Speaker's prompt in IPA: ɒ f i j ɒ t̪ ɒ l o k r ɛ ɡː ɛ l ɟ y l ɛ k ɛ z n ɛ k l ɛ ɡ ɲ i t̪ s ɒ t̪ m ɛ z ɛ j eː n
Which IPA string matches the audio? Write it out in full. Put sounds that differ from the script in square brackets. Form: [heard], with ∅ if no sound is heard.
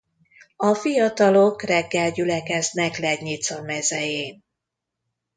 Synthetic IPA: ɒ f i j ɒ t̪ ɒ l o k r ɛ ɡː ɛ l ɟ y l ɛ k ɛ z n ɛ k l ɛ ɡ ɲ i t̪ s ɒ [∅] m ɛ z ɛ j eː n